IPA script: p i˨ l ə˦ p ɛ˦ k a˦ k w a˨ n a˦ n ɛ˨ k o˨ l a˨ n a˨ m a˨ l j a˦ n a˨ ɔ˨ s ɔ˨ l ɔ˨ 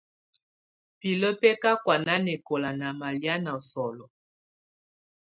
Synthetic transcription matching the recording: p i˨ l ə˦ p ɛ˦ k a˦ k w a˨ n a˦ n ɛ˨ k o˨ l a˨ n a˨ m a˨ l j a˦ n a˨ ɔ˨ s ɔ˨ l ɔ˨